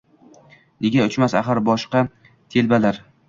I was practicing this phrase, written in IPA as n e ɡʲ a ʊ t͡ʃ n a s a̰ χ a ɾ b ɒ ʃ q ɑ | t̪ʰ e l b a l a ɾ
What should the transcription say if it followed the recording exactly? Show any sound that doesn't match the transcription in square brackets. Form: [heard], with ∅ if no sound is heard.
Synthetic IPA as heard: n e ɡʲ a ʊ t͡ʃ [m] a s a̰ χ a ɾ b ɒ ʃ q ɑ | t̪ʰ e l b a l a ɾ